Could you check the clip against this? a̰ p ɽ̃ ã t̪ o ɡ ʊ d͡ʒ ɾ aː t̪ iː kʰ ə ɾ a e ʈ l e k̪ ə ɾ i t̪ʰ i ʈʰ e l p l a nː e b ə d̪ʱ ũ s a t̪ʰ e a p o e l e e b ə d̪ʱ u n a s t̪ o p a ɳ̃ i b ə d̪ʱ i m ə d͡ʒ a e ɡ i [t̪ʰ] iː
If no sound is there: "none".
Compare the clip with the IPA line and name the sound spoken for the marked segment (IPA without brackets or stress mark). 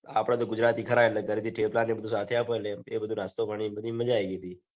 t̪